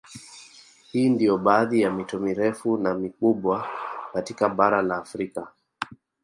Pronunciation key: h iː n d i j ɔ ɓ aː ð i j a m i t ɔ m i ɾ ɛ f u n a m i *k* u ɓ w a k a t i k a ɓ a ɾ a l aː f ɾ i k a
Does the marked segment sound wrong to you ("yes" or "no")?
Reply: no